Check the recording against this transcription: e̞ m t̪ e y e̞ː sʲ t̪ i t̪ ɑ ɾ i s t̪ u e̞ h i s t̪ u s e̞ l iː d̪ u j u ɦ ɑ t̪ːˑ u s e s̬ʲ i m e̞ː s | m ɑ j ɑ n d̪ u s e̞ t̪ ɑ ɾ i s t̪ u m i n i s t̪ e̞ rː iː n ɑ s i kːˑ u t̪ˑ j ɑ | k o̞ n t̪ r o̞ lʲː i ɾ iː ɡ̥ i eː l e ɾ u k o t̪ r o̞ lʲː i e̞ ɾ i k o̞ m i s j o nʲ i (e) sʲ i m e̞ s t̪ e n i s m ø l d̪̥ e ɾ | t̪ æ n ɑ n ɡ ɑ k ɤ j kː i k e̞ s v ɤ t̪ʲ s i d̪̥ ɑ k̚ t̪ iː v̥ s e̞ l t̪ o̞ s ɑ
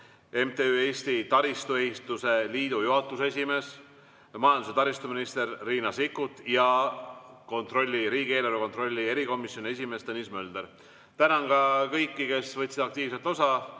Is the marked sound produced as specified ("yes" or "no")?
yes